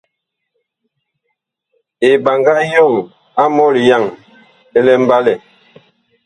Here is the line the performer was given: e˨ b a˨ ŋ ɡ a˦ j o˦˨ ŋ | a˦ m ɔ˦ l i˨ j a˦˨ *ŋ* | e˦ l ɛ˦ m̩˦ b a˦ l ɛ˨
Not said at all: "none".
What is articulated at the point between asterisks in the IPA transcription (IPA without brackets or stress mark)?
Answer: ŋ